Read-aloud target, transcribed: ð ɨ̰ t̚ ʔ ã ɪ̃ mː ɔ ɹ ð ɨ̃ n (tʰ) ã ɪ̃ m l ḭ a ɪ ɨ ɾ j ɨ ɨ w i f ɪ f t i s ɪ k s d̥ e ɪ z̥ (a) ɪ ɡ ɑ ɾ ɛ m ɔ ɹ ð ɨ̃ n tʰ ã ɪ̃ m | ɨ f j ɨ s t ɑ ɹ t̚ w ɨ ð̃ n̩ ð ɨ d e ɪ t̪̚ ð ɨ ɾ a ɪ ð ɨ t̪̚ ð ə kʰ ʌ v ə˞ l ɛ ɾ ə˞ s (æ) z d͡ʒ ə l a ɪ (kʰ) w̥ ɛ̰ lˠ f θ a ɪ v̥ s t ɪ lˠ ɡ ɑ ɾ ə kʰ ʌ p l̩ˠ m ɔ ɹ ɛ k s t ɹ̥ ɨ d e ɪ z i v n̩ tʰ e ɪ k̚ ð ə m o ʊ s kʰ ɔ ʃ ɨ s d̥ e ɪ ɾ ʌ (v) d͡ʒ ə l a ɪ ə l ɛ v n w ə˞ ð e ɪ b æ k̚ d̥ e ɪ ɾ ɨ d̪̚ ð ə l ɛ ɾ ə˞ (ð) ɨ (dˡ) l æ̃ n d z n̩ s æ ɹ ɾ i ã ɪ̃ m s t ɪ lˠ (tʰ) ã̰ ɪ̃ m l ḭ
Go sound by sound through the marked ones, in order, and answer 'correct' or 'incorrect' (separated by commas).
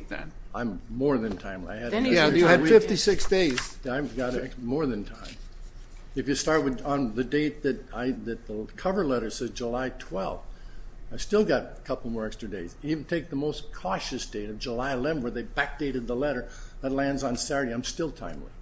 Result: correct, correct, incorrect, incorrect, correct, correct, incorrect, correct